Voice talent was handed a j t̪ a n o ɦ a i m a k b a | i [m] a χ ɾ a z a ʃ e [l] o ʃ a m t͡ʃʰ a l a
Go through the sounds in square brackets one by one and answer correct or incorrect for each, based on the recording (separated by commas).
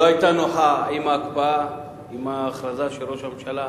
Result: correct, incorrect